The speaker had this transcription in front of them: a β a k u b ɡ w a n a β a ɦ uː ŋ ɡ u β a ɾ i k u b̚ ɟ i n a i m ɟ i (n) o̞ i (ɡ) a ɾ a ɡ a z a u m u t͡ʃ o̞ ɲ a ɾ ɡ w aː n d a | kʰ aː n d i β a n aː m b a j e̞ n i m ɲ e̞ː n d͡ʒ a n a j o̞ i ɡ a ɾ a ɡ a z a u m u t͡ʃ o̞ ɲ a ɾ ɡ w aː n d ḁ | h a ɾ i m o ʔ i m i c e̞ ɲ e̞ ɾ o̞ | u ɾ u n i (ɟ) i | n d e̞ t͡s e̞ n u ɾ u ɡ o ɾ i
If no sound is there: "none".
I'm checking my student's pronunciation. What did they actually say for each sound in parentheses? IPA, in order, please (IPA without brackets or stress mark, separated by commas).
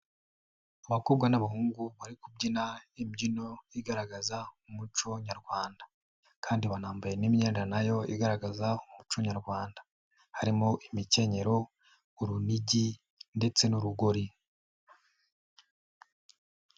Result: n, ɡ, ɟ